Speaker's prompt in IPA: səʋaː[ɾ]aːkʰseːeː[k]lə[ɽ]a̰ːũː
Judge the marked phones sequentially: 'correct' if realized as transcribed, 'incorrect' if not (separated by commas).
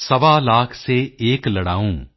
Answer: incorrect, correct, correct